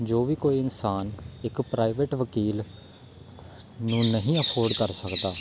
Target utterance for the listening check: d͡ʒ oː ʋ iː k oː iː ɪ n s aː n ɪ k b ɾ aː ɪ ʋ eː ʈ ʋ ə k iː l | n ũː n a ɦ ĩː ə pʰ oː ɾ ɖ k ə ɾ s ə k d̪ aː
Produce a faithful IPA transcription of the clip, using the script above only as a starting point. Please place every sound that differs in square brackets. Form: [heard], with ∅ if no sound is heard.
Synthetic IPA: d͡ʒ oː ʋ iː k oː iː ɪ n s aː n ɪ k [p] ɾ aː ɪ ʋ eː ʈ ʋ ə k iː l | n ũː n [ə] ɦ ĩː ə pʰ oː ɾ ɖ k ə ɾ s ə k d̪ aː